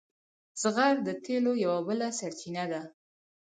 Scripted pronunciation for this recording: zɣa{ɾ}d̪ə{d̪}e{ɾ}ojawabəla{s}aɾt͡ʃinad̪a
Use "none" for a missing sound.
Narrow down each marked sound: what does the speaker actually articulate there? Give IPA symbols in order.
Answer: ɾ, t̪, l, s

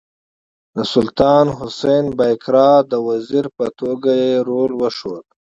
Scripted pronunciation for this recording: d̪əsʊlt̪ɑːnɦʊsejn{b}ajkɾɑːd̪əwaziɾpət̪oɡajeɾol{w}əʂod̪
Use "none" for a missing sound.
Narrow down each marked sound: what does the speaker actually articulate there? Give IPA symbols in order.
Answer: b, w

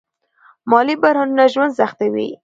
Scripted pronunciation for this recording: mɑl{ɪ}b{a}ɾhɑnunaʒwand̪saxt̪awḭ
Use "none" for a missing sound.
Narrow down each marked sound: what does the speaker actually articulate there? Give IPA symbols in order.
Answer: i, a

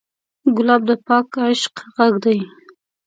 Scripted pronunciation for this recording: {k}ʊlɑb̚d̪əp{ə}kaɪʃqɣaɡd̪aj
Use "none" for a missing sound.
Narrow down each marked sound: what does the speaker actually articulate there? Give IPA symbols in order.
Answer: ɡ, ɑ

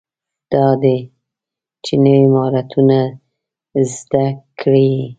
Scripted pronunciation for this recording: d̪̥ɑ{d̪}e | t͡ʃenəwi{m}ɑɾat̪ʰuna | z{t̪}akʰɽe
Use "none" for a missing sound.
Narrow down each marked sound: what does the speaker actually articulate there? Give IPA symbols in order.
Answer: d̪, m, d̪

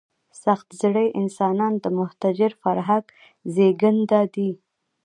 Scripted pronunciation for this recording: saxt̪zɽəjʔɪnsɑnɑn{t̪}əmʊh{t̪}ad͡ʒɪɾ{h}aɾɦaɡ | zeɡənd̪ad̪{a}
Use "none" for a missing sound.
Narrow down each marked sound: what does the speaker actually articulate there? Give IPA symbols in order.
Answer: d̪, t̪, f, i

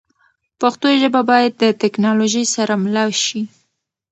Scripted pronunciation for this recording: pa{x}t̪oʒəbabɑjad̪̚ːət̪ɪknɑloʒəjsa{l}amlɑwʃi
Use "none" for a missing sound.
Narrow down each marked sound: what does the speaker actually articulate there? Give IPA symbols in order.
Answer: x, ɾ

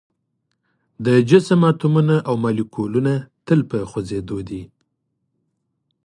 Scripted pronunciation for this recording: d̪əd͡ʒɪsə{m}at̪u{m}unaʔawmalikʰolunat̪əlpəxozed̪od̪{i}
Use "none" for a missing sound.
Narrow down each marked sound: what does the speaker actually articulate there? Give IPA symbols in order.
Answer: m, m, i

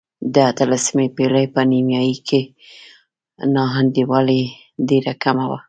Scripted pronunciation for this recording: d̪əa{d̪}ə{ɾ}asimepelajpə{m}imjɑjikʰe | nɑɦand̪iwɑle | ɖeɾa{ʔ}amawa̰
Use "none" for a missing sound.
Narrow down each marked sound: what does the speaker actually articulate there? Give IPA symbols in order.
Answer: t̪, l, n, k

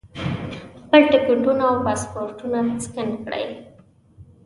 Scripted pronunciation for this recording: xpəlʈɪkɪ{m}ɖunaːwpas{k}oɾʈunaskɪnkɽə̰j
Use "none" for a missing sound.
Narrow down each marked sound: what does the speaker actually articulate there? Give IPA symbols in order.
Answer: ɳ, p

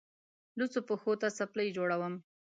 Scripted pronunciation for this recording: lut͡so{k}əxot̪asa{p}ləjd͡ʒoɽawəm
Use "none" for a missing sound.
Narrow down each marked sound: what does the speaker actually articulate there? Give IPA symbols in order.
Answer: p, p

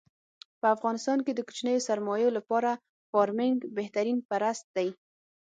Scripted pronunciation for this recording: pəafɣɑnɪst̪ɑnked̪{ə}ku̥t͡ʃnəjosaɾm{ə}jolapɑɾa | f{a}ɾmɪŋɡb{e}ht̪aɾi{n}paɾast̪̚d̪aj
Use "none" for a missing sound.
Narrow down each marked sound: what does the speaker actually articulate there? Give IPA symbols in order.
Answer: ə, ɑ, ɑ, e, n

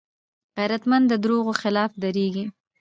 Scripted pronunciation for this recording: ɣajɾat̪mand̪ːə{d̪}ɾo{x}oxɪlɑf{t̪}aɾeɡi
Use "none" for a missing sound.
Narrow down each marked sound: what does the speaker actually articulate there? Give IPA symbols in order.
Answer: d̪, ɣ, d̪

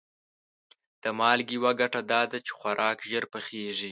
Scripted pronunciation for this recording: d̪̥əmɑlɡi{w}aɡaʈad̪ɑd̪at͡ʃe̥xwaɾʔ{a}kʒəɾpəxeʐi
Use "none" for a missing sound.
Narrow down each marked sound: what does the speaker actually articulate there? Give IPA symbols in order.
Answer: w, ɑ

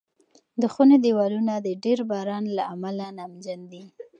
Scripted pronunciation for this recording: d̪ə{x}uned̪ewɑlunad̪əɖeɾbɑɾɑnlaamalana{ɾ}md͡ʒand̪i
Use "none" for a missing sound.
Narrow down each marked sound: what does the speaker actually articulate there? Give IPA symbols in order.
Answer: x, none

